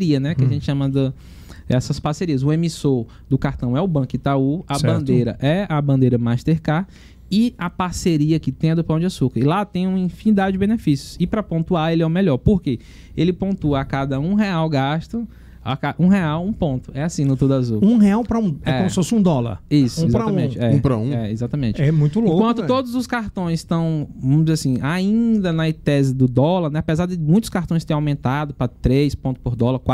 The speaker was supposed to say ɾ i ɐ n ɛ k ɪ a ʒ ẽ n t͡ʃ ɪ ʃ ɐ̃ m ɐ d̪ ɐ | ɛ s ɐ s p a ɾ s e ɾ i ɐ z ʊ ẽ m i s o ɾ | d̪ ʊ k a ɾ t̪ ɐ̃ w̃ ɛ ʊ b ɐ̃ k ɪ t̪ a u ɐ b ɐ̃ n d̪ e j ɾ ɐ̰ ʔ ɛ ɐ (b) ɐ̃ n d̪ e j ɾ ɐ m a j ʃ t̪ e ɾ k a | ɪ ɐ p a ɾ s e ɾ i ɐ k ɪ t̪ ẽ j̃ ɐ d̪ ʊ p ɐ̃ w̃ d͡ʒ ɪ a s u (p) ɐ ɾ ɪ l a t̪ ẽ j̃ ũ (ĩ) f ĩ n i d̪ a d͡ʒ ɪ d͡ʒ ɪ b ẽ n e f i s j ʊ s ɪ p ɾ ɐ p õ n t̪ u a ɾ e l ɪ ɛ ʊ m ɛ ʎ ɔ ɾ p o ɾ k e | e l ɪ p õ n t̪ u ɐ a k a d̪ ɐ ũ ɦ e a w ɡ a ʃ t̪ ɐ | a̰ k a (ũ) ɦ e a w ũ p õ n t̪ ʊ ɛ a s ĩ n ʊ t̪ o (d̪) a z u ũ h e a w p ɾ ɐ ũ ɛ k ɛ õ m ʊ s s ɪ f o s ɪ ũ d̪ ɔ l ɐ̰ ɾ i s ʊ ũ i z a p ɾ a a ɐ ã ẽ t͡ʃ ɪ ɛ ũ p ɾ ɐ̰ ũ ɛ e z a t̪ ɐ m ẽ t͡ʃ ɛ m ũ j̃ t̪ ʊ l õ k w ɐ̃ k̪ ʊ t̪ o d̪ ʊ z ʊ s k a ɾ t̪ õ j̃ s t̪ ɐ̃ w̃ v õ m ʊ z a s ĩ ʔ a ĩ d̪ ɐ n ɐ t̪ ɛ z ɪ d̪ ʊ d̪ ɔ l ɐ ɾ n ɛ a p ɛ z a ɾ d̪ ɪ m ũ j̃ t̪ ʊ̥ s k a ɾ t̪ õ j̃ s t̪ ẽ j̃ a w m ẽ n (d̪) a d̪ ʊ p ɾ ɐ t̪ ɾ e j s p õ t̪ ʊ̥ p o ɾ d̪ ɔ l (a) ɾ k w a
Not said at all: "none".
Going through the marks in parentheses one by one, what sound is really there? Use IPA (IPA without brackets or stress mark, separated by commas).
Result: b, k, ĩ, ũ, d̪, t̪, ɐ